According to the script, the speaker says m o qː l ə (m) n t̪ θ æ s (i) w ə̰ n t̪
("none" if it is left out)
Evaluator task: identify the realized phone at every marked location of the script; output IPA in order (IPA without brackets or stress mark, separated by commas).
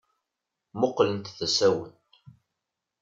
none, æ